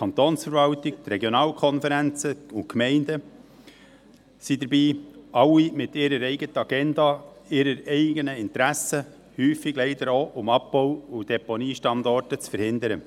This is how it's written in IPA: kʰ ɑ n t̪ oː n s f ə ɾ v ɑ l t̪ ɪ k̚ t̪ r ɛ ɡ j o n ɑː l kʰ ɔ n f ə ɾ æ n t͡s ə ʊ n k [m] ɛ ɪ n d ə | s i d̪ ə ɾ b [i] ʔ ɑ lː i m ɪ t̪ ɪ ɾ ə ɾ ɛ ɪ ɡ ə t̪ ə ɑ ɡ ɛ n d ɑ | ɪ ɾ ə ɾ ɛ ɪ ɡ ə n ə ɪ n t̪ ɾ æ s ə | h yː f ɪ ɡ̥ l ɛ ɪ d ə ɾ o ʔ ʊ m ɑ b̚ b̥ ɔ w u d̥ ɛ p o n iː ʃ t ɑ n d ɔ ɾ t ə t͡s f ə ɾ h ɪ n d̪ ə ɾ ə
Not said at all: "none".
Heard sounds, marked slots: m, iː

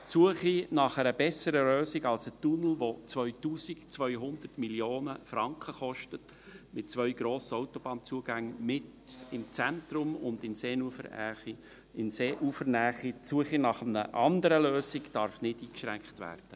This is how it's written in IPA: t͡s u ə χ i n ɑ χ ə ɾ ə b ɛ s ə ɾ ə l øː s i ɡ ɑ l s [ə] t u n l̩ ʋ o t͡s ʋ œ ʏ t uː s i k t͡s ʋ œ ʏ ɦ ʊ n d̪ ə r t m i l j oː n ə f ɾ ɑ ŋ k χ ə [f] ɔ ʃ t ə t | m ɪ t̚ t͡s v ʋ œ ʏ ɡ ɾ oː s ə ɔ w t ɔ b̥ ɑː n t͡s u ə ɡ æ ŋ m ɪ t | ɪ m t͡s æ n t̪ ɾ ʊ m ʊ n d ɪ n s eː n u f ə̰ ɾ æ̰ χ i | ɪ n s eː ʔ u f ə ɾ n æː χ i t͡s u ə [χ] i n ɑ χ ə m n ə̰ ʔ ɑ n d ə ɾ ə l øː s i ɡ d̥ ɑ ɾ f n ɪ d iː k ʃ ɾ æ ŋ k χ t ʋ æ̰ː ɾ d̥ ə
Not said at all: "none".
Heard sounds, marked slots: ə, χ, χ

